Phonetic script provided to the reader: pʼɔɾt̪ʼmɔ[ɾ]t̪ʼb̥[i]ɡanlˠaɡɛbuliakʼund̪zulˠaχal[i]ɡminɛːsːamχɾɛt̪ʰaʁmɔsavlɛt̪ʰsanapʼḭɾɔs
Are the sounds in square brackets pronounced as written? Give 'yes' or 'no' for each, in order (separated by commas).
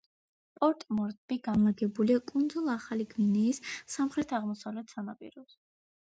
yes, yes, yes